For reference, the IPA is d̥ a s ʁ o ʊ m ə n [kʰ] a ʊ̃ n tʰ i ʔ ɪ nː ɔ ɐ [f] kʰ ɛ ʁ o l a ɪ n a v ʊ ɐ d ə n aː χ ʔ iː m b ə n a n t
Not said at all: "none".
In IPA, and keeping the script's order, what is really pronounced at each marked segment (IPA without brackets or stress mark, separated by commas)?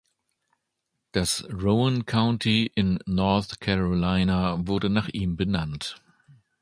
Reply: kʰ, θ